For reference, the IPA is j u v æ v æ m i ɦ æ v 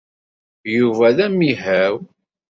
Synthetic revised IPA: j u v æ ð æ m i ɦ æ w